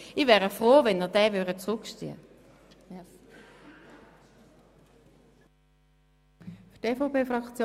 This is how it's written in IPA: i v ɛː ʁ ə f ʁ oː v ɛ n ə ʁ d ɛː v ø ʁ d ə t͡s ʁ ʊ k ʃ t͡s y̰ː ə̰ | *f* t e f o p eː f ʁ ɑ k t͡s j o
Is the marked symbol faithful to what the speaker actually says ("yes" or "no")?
yes